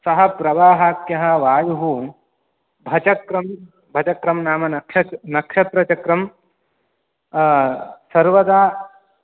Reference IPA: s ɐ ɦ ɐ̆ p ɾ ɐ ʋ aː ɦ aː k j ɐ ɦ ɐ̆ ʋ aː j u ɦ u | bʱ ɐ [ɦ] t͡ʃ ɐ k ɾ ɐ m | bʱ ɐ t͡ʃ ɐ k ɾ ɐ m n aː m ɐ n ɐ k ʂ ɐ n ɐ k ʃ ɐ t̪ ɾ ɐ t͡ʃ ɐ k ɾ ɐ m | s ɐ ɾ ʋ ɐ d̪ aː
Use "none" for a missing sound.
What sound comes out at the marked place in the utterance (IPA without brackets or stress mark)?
none